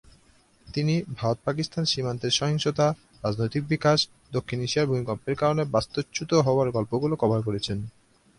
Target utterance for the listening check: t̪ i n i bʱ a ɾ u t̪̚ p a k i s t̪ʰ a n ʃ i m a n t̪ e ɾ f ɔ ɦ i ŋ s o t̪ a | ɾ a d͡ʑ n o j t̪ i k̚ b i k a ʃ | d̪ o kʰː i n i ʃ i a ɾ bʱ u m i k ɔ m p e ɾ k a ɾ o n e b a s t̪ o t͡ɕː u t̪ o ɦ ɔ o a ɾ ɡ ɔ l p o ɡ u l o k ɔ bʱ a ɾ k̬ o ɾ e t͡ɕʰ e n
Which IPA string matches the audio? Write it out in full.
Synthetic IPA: t̪ i n i bʱ a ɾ o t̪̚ p a k i s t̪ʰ a n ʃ i m a n t̪ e ɾ ʃ ɔ ɦ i ŋ ʃ o t̪ a | ɾ a d͡ʑ n o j t̪ i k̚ b i k a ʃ | d̪ o kʰː i n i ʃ i a ɾ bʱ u m i k ɔ m p e ɾ k a ɾ o n e b a s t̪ o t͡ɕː u t̪ o ɦ ɔ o a ɾ ɡ ɔ l p o ɡ u l o k ɔ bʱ a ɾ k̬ o ɾ e t͡ɕʰ e n

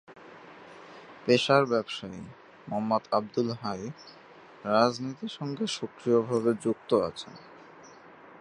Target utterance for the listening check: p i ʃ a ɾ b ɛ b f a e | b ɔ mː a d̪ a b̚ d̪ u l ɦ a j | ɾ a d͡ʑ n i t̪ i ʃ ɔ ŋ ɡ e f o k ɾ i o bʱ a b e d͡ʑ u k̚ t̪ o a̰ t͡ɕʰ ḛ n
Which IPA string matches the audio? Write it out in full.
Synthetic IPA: p e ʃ a ɾ b ɛ b ʃ a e | m ɔ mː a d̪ a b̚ d̪ u l ɦ a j | ɾ a d͡ʑ n i t̪ i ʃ ɔ ŋ ɡ e ʃ o k ɾ i o bʱ a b e d͡ʑ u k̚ t̪ o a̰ t͡ɕʰ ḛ n

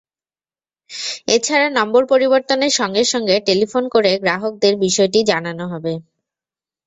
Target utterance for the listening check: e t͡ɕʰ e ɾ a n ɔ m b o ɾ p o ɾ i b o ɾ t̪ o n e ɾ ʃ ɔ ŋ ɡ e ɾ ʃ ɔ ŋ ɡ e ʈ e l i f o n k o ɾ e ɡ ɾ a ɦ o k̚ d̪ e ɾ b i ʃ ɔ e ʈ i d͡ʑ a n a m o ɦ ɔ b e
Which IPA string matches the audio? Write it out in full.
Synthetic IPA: e t͡ɕʰ a ɾ a n ɔ m b o ɾ p o ɾ i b o ɾ t̪ o n e ɾ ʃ ɔ ŋ ɡ e ɾ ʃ ɔ ŋ ɡ e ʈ e l i f o n k o ɾ e ɡ ɾ a ɦ o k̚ d̪ e ɾ b i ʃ ɔ e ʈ i d͡ʑ a n a n o ɦ ɔ b e

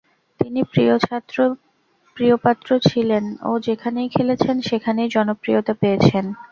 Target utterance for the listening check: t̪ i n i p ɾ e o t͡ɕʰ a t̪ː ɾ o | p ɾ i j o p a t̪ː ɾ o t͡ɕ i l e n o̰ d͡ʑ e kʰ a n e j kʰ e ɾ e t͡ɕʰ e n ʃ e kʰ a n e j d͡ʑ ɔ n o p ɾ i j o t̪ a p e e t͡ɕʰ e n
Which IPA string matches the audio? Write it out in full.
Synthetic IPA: t̪ i n i p ɾ i o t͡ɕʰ a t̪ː ɾ o | p ɾ i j o p a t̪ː ɾ o t͡ɕʰ i l e n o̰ d͡ʑ e kʰ a n e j kʰ e l e t͡ɕʰ e n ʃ e kʰ a n e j d͡ʑ ɔ n o p ɾ i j o t̪ a p e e t͡ɕʰ e n

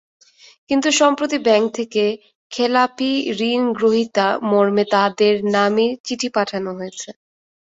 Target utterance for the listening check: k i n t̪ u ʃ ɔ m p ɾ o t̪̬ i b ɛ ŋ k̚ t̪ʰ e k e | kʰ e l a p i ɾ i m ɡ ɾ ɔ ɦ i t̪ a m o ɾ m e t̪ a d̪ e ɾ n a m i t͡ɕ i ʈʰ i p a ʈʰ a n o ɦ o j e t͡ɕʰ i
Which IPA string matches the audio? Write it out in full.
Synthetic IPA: k i n t̪ u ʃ ɔ m p ɾ o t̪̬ i b ɛ ŋ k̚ t̪ʰ e k e | kʰ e l a p i ɾ i n ɡ ɾ o ɦ i t̪ a m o ɾ m e t̪ a d̪ e ɾ n a m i t͡ɕ i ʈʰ i p a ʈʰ a n o ɦ o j e t͡ɕʰ e

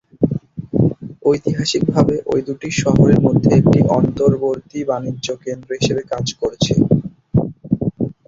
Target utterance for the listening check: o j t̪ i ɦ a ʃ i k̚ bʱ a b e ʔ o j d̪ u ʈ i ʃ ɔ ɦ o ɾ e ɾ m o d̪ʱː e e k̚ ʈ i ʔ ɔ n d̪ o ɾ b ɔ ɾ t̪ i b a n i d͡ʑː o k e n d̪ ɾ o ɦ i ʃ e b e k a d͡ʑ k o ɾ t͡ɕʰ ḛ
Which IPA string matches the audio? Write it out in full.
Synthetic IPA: o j t̪ i ɦ a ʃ i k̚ bʱ a b e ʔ o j d̪ u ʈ i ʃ ɔ ɦ o ɾ e ɾ m o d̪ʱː e e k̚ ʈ i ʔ ɔ n t̪ o ɾ b o ɾ t̪ i b a n i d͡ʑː o k e n d̪ ɾ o ɦ i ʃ e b e k a d͡ʑ k o ɾ t͡ɕʰ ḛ

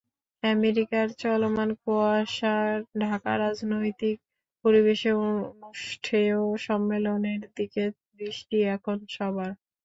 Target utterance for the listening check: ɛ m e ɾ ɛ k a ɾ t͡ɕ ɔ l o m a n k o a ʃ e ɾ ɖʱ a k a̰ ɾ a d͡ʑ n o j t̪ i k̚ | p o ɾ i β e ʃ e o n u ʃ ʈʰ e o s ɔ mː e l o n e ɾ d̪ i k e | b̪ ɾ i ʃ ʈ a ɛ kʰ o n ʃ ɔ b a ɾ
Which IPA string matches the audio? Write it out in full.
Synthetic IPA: ɛ m e ɾ i k a ɾ t͡ɕ ɔ l o m a n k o a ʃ a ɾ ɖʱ a k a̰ ɾ a d͡ʑ n o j t̪ i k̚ | p o ɾ i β e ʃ e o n u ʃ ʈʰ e o ʃ ɔ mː e l o n e ɾ d̪ i k e | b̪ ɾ i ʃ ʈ i ɛ kʰ o n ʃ ɔ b a ɾ

